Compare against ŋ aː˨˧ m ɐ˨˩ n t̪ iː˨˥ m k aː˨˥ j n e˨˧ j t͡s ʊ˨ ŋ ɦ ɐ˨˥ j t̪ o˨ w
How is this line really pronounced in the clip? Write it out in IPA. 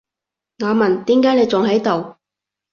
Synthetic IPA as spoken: ŋ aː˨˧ m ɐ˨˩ n t̪ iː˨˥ m k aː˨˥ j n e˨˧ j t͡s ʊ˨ ŋ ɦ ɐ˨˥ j t̪ o˨ w